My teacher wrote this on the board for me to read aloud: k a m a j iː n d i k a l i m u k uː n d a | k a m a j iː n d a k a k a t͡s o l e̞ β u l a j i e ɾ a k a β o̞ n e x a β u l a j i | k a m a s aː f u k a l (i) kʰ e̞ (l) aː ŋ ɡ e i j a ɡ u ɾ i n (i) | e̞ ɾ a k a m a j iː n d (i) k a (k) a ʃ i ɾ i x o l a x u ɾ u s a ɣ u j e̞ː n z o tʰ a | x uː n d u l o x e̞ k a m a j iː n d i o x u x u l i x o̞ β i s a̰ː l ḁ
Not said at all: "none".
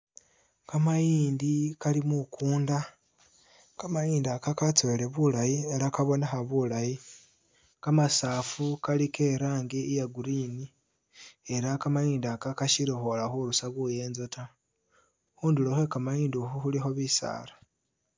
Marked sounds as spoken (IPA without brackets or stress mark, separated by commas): i, ɾ, i, a, k